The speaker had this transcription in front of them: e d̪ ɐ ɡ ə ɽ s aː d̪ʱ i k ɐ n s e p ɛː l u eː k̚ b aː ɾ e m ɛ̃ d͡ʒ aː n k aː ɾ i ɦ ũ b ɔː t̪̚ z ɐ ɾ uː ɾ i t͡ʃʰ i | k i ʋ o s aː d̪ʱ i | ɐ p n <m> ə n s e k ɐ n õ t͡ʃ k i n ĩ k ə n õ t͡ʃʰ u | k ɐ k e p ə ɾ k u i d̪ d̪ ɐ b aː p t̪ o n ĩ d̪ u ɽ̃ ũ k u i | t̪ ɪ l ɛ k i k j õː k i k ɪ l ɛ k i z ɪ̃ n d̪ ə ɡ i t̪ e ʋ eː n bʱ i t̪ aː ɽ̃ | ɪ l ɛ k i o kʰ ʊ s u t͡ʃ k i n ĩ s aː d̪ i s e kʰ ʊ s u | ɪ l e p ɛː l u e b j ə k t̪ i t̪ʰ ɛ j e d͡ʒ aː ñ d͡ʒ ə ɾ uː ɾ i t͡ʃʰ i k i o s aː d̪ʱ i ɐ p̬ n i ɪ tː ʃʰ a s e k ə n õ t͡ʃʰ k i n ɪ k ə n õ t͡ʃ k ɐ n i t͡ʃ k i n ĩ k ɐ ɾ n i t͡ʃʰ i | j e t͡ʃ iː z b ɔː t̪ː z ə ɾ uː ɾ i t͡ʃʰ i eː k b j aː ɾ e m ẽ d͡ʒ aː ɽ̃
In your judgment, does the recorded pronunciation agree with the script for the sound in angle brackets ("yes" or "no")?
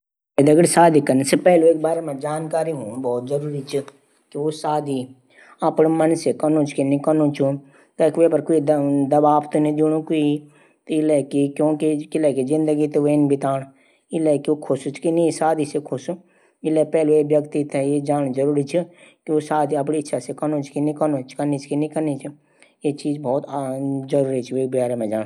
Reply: yes